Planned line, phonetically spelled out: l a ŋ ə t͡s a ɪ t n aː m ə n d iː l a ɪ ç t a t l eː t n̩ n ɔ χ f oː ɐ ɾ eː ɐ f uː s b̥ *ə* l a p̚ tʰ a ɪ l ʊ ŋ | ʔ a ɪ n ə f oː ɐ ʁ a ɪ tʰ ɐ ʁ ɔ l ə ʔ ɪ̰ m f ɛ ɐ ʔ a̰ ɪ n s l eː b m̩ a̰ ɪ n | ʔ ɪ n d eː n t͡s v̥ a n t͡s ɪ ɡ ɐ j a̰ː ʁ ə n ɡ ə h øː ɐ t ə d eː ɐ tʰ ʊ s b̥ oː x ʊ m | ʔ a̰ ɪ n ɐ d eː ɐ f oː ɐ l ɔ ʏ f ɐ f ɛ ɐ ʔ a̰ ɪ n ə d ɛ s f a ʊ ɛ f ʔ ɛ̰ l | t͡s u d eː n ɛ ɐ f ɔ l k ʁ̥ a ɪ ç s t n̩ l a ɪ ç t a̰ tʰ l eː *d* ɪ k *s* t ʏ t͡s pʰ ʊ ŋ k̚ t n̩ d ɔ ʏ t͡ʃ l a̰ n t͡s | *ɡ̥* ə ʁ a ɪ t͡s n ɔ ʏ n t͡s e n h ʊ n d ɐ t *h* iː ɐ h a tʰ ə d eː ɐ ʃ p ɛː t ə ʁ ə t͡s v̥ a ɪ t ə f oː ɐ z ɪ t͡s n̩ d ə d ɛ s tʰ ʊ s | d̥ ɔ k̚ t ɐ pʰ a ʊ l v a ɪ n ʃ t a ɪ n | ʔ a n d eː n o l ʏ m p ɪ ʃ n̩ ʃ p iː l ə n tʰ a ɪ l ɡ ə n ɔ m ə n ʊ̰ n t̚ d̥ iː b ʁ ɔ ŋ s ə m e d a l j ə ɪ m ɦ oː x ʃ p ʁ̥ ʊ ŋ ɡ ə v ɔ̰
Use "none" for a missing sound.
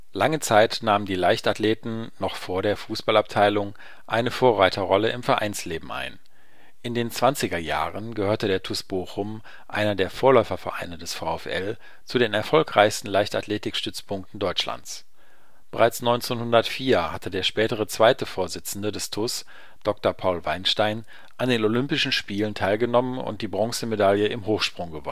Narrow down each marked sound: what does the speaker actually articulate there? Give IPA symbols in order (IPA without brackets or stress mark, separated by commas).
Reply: a, t, ʃ, b̥, f